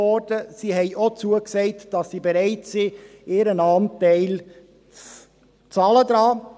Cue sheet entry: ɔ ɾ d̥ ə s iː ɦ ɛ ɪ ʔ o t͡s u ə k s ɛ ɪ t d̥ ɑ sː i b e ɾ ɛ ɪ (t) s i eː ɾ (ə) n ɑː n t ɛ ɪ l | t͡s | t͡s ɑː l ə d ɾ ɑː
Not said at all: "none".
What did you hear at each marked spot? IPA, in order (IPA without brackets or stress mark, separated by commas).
t, ə